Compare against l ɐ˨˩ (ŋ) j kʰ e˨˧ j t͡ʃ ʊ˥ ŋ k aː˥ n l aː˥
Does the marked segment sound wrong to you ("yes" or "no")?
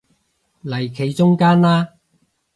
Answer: yes